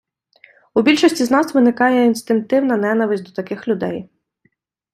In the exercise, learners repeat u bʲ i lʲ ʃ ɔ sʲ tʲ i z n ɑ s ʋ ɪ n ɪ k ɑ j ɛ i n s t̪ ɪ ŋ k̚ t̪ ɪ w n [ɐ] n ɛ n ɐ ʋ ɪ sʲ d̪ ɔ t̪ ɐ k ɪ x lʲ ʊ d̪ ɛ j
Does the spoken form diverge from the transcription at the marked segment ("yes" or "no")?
no